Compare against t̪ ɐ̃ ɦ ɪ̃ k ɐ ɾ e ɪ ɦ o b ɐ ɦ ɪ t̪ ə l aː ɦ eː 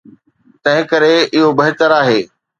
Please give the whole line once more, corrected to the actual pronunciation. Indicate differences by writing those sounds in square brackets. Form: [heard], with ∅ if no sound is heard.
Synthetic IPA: t̪ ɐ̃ ɦ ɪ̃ k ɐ ɾ e ɪ ɦ o b ɐ ɦ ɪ t̪ ə [ɾ] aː ɦ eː